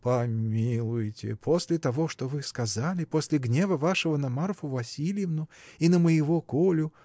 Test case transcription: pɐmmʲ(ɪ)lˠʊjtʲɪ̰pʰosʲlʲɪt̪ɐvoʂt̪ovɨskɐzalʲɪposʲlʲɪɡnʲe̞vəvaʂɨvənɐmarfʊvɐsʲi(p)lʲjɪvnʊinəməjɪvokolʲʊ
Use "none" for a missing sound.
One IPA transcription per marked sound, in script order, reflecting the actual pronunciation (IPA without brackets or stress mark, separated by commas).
i, none